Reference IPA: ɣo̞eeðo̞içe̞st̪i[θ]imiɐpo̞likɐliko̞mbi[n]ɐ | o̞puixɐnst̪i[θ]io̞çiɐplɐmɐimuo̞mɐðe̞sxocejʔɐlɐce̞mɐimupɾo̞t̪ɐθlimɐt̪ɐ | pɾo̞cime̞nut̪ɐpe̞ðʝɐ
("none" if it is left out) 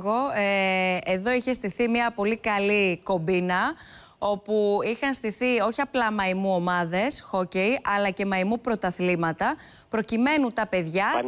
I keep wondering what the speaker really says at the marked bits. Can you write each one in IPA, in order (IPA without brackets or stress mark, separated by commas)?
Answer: θ, n, θ